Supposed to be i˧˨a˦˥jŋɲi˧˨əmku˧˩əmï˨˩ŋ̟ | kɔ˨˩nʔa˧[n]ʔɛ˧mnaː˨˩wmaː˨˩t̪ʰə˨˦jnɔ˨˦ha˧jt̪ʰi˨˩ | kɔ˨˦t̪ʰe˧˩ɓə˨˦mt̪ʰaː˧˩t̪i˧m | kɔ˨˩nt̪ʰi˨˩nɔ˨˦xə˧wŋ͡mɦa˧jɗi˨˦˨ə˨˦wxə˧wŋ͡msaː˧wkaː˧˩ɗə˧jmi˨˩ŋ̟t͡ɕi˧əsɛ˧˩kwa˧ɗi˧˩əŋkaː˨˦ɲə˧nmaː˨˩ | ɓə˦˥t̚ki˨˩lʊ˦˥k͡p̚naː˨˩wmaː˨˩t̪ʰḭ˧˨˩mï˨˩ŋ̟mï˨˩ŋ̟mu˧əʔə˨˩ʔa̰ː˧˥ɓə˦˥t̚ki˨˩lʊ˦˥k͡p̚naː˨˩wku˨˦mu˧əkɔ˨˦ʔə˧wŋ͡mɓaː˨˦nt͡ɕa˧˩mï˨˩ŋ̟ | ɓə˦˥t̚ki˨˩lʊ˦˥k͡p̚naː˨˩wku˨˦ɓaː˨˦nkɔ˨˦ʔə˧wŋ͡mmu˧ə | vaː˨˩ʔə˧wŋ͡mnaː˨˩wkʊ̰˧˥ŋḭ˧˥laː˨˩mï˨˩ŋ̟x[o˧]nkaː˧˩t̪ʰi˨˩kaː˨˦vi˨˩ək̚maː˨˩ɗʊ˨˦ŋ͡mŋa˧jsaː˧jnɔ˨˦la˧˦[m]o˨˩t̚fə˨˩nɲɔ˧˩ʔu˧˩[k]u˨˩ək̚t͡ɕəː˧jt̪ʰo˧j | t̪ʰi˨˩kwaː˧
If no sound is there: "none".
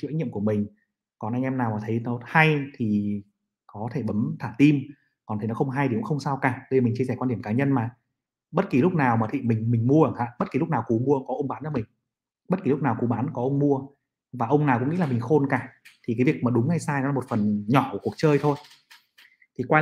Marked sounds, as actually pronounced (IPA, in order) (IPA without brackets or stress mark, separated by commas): ŋ, o˧, m, k